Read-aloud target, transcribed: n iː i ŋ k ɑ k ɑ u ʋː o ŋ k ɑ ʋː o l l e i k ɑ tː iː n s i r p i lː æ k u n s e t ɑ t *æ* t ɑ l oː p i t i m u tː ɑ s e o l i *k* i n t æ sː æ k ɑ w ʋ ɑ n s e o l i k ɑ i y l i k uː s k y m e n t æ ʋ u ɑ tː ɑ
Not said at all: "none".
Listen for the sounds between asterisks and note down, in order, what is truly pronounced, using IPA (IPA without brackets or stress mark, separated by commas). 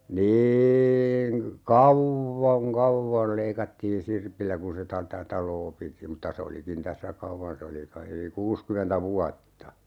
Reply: æ, k